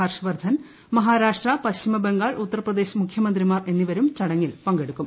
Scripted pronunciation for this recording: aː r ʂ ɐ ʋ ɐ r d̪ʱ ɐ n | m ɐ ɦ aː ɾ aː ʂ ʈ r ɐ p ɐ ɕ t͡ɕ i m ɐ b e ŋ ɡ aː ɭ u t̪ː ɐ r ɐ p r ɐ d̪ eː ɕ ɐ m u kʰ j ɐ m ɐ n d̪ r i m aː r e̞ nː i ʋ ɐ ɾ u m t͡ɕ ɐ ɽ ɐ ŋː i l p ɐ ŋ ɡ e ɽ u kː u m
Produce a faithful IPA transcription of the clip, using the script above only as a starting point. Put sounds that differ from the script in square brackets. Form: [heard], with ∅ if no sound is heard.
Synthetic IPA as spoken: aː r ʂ ɐ ʋ ɐ r d̪ʱ ɐ n | m ɐ ɦ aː ɾ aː ʂ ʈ r ɐ p ɐ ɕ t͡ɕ i m ɐ b e ŋ ɡ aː ɭ u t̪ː ɐ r ɐ p r ɐ d̪ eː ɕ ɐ m u kʰ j ɐ m ɐ n d̪ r i m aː r e̞ nː i ʋ ɐ ɾ u m t͡ɕ ɐ ɽ ɐ ŋː i l p ɐ ŋ ɡ e ɽ u kː u m

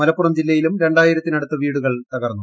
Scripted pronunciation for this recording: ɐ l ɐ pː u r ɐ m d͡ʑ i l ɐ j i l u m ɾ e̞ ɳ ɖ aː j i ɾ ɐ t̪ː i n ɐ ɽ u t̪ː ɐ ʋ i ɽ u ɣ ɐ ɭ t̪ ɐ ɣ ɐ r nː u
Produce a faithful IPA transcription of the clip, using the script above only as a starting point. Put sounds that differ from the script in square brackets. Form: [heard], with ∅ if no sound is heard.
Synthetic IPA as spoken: ɐ l ɐ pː u r ɐ m d͡ʑ i [lː] ɐ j i l u m ɾ e̞ ɳ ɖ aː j i ɾ ɐ t̪ː i n ɐ ɽ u t̪ː ɐ ʋ [iː] ɽ u ɣ ɐ ɭ t̪ ɐ ɣ ɐ r nː u

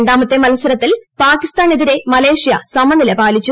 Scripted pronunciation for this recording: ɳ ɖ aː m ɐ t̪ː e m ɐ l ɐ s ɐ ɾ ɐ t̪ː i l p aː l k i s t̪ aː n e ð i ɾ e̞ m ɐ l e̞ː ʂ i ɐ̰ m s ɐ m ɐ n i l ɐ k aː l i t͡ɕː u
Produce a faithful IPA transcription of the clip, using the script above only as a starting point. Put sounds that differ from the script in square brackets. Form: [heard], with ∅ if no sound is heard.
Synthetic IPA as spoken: ɳ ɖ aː m ɐ t̪ː e m ɐ l ɐ s ɐ ɾ ɐ t̪ː i l p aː [∅] k i s t̪ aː n e ð i ɾ e̞ m ɐ l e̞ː ʂ [j] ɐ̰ [∅] s ɐ m ɐ n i l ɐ [p] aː l i t͡ɕː u

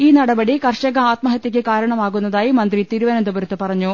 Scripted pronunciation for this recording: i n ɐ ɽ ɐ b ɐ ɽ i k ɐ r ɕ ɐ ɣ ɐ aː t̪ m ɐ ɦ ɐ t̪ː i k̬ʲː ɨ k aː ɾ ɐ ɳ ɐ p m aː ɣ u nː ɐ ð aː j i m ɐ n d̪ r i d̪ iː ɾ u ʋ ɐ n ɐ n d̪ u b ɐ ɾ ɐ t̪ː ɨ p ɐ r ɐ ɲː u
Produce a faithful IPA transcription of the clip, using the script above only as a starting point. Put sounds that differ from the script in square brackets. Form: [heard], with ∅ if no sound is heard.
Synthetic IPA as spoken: [iː] n ɐ ɽ ɐ b ɐ ɽ i k ɐ r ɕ ɐ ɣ ɐ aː t̪ m ɐ ɦ ɐ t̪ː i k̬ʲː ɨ k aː ɾ ɐ ɳ ɐ [∅] m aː ɣ u nː ɐ ð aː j i m ɐ n d̪ r i [t̪] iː ɾ u ʋ ɐ n ɐ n d̪ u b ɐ ɾ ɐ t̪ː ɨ p ɐ r ɐ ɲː u

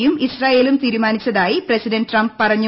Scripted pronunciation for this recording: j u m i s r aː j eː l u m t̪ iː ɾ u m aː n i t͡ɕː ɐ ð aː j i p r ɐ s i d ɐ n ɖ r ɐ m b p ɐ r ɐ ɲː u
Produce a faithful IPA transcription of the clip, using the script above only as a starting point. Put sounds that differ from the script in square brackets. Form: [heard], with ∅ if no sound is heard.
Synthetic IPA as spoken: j u m i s r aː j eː l u m t̪ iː ɾ u m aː n i t͡ɕː ɐ ð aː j i p r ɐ s i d ɐ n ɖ r ɐ m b p ɐ r ɐ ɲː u

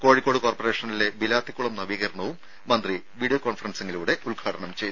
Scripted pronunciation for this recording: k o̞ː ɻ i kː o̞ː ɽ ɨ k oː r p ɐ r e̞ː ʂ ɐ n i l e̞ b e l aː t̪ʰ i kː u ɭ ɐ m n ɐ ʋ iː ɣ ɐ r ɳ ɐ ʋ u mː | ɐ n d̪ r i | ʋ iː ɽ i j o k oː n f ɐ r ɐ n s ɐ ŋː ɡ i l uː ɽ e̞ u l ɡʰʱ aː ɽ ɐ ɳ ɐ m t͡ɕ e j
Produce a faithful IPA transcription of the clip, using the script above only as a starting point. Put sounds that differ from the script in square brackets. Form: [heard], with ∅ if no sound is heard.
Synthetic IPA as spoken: k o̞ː ɻ i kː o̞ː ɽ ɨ k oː r p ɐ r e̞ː ʂ ɐ n i l e̞ b [i] l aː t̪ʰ i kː u ɭ ɐ m n ɐ ʋ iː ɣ ɐ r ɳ ɐ ʋ u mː | ɐ n d̪ r i | ʋ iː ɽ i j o k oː n f ɐ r ɐ n s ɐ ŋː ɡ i l uː ɽ e̞ u l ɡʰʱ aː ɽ ɐ ɳ ɐ m t͡ɕ e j

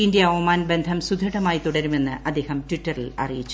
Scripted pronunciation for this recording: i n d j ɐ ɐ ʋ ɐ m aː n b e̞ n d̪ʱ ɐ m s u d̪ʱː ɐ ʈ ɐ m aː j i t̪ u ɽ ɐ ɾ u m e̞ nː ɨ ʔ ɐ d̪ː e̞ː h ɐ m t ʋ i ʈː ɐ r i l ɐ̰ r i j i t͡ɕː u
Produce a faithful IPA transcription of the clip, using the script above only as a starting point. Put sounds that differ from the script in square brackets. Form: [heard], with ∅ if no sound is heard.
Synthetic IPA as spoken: i n d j ɐ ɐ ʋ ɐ m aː n b e̞ n d̪ʱ ɐ m s u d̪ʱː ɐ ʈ ɐ m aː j i t̪ u ɽ ɐ ɾ u m e̞ nː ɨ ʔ ɐ d̪ː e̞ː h ɐ m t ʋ i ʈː ɐ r i l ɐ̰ r i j i t͡ɕː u

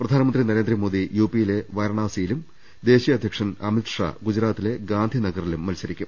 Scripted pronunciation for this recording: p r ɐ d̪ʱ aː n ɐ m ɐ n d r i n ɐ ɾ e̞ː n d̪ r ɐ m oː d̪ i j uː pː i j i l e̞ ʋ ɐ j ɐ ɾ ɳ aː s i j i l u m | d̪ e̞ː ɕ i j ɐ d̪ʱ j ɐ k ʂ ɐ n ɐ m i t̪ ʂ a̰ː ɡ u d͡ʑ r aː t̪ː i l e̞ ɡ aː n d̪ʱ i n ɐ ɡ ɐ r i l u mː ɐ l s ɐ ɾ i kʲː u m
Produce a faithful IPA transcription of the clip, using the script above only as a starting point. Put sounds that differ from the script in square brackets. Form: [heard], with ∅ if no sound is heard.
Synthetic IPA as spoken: p r ɐ d̪ʱ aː n ɐ m ɐ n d r i n ɐ ɾ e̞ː n d̪ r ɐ m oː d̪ i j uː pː i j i l e̞ ʋ ɐ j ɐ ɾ ɳ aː s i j i l u m | d̪ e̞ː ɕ i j ɐ d̪ʱ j ɐ k ʂ ɐ n ɐ m i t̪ ʂ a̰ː ɡ u d͡ʑ [ɾ] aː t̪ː i l e̞ ɡ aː n d̪ʱ i n ɐ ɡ ɐ r i l u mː ɐ l s ɐ ɾ i kʲː u m

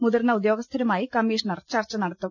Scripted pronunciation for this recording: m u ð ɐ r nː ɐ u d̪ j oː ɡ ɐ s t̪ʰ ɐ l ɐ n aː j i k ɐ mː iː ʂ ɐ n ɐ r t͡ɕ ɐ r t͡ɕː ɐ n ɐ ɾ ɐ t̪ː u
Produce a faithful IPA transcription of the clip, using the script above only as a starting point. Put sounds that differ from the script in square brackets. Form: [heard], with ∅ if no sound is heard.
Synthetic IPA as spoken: m u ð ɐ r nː ɐ u d̪ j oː ɡ ɐ s t̪ʰ ɐ [ɾ] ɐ [m] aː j i k ɐ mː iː ʂ ɐ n ɐ r t͡ɕ ɐ r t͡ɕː ɐ n ɐ [ɽ] ɐ t̪ː u

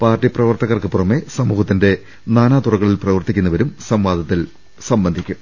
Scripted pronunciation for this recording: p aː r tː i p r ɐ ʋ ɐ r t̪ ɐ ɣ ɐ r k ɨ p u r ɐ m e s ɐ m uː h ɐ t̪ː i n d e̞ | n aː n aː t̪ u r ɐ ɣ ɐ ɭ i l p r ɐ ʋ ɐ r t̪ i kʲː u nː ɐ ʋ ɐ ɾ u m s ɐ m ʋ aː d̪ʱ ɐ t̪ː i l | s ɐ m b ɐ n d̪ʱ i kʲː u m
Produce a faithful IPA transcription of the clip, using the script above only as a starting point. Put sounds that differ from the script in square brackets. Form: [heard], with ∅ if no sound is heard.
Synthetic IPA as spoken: p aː r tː i p r ɐ ʋ ɐ r t̪ ɐ ɣ ɐ r k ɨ p u r ɐ m e s ɐ m uː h ɐ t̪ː i n d e̞ | n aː n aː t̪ u r ɐ ɣ ɐ ɭ i l p r ɐ ʋ ɐ r t̪ i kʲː u nː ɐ ʋ ɐ ɾ u m s ɐ m ʋ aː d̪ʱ ɐ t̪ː i l | s ɐ m b ɐ n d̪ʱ i kʲː u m

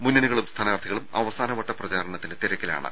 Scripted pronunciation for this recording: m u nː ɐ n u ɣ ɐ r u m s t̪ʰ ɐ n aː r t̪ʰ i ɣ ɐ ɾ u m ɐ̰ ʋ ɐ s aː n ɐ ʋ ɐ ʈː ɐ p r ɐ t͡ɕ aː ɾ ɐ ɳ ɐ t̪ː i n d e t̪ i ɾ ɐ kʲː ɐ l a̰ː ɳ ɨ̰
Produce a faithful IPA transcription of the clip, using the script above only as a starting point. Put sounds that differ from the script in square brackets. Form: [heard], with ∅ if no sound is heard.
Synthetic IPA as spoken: m u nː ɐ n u ɣ ɐ [ɭ] u m s t̪ʰ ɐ n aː r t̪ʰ i ɣ ɐ [ɭ] u m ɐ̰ ʋ ɐ s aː n ɐ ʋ ɐ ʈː ɐ p r ɐ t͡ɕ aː ɾ ɐ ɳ ɐ t̪ː i n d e t̪ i ɾ ɐ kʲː ɐ l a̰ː ɳ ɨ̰

